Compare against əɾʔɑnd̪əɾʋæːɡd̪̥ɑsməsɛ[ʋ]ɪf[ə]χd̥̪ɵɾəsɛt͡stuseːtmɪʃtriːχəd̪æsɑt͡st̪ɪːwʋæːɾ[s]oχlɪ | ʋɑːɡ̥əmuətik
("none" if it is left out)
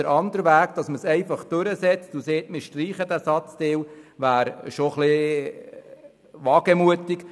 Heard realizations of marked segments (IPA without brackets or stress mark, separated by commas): none, ɑ, ʃ